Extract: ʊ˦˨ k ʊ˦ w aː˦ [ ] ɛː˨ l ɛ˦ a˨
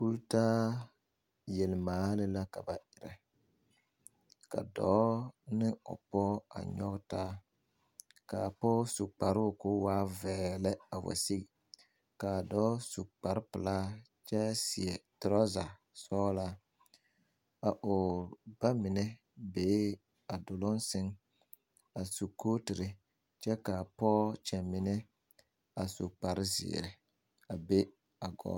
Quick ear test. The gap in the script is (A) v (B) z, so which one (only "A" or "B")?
A